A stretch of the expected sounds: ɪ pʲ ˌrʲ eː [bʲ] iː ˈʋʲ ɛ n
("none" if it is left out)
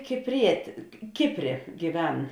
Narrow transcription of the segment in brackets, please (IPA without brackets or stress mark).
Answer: ɡʲ